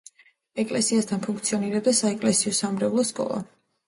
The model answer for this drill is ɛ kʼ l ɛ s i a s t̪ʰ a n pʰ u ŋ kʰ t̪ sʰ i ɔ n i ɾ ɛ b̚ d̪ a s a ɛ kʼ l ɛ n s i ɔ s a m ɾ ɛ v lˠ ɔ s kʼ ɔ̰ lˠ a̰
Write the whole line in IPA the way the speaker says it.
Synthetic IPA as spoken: ɛ kʼ l ɛ s i a s t̪ʰ a n pʰ u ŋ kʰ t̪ sʰ i ɔ n i ɾ ɛ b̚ d̪ a s a ɛ kʼ l ɛ s i ɔ s a m ɾ ɛ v lˠ ɔ s kʼ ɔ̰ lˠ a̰